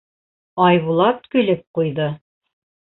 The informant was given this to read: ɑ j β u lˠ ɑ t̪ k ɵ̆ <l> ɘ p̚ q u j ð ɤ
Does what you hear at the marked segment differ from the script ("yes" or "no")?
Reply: no